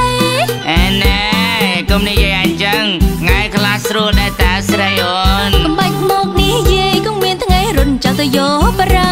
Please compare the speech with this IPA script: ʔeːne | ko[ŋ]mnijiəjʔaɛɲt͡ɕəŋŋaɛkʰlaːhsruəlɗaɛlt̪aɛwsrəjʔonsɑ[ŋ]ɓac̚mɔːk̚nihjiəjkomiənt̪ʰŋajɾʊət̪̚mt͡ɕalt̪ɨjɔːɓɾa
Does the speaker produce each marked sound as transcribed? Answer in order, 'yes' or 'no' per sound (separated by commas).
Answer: no, no